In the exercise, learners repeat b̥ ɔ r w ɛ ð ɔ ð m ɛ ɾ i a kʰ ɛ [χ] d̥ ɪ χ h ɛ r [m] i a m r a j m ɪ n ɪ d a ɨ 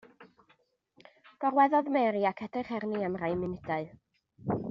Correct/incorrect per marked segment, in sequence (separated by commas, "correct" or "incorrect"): incorrect, incorrect